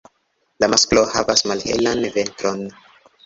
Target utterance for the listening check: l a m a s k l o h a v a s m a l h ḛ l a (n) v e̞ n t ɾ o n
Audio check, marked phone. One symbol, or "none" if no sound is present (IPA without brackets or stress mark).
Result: n